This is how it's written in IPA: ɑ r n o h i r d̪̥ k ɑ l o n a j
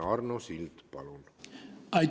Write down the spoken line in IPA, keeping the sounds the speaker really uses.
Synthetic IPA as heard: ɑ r n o s i l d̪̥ p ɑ l u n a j